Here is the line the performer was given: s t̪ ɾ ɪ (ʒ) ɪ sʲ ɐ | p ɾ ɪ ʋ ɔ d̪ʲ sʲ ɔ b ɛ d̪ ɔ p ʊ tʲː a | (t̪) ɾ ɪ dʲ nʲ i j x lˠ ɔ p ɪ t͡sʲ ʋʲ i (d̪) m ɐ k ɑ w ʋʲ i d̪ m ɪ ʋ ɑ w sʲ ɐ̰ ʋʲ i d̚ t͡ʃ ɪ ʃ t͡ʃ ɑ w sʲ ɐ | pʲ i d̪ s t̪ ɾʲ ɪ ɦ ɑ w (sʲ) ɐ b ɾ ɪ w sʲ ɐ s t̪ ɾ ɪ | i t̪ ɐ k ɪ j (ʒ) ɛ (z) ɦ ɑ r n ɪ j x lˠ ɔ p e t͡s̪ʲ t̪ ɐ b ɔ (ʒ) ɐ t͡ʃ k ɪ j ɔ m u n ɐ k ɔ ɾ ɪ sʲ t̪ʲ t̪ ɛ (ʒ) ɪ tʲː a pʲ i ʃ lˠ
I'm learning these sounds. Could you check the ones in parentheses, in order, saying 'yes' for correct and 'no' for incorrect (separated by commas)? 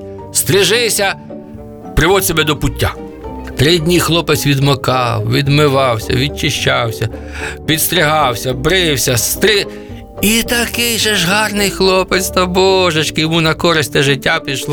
yes, yes, yes, yes, yes, no, yes, yes